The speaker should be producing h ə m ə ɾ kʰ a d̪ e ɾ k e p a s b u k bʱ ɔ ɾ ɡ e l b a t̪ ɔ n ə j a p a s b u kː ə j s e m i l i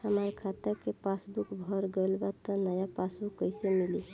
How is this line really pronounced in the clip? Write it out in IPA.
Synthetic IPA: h ə m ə ɾ kʰ a t̪ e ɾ k e p a s b u k bʱ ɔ ɾ ɡ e l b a t̪ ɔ n ə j a p a s b u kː ə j s e m i l i